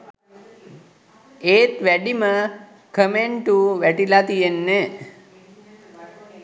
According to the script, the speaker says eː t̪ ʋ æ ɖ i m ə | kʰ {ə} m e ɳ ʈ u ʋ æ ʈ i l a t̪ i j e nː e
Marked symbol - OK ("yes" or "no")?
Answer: yes